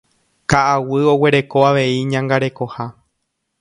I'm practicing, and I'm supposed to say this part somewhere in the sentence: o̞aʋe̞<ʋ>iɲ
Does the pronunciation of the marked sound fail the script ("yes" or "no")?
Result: yes